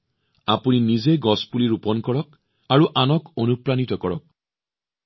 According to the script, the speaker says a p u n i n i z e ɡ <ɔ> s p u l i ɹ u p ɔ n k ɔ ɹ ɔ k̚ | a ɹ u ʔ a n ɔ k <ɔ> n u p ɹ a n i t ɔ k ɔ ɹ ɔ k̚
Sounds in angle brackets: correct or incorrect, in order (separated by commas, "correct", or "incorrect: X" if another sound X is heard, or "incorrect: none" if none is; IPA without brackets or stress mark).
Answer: correct, incorrect: o